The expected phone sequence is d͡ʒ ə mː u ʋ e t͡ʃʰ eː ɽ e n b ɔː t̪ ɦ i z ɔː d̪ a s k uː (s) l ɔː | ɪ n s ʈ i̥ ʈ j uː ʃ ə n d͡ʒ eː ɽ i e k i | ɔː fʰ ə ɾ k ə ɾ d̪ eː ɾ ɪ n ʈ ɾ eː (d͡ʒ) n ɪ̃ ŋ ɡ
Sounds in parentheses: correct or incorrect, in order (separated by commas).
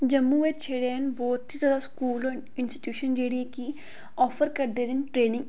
incorrect, incorrect